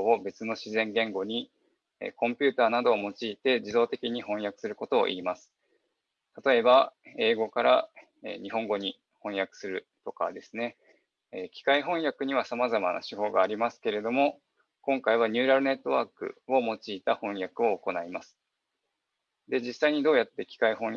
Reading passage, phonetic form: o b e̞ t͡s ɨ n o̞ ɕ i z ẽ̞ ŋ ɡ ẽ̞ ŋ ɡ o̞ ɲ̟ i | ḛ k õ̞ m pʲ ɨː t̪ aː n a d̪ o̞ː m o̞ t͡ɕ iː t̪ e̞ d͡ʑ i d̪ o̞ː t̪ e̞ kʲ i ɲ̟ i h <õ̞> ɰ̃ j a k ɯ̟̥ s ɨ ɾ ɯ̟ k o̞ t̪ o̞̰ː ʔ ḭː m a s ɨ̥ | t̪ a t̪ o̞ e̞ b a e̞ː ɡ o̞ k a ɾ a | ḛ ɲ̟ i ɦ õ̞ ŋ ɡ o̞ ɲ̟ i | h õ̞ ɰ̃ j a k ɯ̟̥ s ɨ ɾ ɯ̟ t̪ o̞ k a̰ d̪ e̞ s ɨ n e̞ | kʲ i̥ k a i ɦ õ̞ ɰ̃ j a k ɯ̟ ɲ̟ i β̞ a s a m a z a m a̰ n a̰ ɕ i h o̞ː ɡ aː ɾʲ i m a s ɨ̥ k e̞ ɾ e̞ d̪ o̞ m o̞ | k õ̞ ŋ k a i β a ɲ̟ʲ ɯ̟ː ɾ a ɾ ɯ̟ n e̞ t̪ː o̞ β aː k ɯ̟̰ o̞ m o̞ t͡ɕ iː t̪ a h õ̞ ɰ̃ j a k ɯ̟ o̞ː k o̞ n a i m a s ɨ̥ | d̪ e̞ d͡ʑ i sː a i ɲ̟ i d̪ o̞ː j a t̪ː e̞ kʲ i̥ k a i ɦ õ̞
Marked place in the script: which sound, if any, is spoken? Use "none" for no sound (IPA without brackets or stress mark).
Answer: õ̞